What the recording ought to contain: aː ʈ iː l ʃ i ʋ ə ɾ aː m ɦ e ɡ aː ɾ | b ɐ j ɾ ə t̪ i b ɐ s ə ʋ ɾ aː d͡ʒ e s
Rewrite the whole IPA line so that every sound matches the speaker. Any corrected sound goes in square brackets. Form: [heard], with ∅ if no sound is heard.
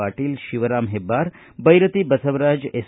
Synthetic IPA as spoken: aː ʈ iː l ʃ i ʋ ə ɾ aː m ɦ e [b] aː ɾ | b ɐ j ɾ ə t̪ i b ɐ s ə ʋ ɾ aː d͡ʒ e s